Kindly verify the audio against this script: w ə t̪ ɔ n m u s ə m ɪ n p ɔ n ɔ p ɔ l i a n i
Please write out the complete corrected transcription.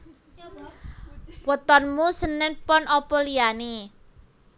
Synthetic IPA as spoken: w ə t̪ ɔ n m u s ə n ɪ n p ɔ n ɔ p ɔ l i a n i